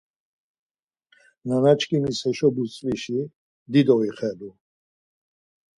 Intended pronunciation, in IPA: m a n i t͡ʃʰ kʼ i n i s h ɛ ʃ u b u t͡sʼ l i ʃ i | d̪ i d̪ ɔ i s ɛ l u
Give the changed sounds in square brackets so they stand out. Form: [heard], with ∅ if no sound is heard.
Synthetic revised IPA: [n] a n [a] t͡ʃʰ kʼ i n i s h ɛ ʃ [ɔ] b u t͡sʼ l i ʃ i | d̪ i d̪ ɔ i [χ] ɛ l u